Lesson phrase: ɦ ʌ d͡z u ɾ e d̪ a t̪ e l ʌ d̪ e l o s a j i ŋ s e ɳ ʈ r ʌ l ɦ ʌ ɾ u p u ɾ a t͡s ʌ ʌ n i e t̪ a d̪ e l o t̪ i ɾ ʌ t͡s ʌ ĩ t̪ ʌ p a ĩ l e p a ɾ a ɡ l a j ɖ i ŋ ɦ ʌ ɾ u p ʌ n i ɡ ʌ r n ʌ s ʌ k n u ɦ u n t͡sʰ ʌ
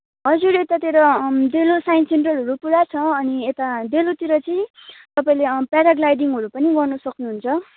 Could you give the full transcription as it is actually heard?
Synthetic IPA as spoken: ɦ ʌ d͡z u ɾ e t̪ a t̪ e ɾ ʌ d̪ e l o s a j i n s e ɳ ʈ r ʌ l ɦ ʌ ɾ u p u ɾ a t͡sʰ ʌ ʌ n i e t̪ a d̪ e l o t̪ i ɾ ʌ t͡s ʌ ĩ t̪ ʌ p a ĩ l e p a ɾ a ɡ l a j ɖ i ŋ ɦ ʌ ɾ u p ʌ n i ɡ ʌ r n ʌ s ʌ k n u ɦ u n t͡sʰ ʌ